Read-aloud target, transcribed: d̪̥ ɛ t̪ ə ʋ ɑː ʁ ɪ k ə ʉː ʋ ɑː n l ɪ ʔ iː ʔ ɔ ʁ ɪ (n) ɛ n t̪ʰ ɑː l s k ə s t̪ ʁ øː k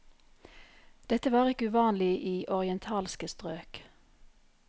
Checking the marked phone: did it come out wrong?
yes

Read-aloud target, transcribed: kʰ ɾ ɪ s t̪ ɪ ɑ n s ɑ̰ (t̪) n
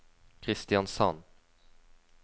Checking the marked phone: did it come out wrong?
yes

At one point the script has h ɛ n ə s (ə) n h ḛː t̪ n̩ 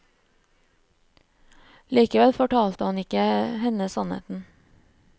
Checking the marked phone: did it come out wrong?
yes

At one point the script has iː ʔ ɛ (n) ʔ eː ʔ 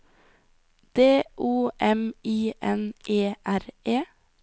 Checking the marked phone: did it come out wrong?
no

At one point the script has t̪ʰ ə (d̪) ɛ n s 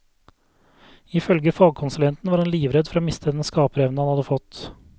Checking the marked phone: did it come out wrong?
no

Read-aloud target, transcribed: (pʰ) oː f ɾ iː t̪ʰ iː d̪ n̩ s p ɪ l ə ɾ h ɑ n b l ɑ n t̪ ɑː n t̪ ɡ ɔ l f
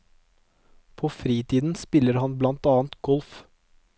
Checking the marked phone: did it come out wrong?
no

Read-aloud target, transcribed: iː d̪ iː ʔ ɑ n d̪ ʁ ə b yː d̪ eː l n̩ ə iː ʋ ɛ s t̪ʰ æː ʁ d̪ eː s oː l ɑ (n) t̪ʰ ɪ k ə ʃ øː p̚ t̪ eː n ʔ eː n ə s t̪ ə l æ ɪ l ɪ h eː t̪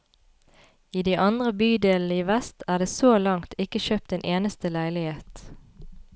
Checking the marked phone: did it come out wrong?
yes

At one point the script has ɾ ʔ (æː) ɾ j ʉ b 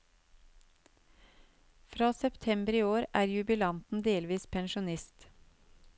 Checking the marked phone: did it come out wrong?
no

